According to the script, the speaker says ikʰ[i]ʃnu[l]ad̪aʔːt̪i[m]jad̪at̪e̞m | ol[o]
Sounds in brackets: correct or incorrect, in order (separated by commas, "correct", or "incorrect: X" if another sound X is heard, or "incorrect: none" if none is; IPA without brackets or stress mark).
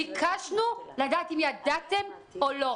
incorrect: a, correct, correct, correct